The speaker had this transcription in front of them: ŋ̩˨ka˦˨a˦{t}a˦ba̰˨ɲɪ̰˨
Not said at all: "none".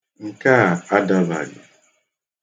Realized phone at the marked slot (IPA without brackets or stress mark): d